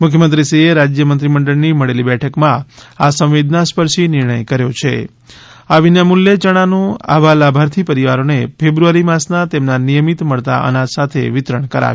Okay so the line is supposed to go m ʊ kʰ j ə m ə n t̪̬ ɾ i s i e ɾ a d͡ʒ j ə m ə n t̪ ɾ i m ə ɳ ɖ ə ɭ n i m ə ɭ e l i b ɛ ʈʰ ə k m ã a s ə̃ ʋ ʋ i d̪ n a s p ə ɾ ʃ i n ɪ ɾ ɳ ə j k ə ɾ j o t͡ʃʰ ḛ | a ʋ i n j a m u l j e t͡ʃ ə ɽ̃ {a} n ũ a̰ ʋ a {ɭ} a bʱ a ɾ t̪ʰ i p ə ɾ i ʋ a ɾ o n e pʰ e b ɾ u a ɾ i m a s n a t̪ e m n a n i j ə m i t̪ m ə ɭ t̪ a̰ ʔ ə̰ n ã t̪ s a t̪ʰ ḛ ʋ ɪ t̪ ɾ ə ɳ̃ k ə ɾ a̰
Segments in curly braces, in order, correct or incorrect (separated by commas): correct, incorrect